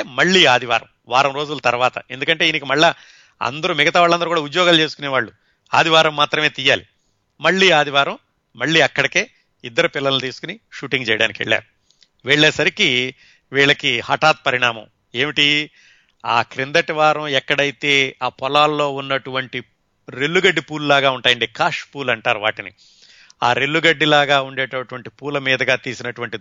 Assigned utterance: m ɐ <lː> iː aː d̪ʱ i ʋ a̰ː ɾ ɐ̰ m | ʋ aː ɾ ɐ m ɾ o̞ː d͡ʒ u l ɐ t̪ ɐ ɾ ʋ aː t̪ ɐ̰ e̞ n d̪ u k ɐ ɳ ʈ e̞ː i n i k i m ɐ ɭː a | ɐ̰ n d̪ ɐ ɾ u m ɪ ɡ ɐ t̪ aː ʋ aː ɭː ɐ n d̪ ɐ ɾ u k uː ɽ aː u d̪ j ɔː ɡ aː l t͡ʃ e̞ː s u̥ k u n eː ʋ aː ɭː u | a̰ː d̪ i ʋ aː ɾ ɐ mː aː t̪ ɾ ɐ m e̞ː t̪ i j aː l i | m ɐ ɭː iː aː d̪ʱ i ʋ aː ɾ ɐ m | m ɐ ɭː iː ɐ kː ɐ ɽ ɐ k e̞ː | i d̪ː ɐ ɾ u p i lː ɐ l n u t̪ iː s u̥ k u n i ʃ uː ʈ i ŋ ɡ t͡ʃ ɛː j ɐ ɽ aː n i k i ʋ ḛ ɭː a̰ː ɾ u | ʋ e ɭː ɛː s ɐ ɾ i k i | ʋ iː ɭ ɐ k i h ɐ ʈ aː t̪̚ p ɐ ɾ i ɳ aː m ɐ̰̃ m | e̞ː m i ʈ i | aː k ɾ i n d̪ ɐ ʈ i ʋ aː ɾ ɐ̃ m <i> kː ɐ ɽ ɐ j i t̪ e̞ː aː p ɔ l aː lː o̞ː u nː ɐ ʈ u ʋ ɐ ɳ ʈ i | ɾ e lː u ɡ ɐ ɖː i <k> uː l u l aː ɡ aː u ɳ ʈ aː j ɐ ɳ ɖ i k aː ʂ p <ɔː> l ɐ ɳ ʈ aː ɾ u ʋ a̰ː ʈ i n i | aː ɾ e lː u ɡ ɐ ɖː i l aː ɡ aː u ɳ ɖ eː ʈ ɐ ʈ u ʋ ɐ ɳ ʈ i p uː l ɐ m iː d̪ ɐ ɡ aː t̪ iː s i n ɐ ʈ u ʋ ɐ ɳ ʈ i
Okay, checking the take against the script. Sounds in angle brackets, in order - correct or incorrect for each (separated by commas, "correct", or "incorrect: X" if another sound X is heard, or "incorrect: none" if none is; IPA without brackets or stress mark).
incorrect: ɭː, incorrect: ɛ, incorrect: p, incorrect: uː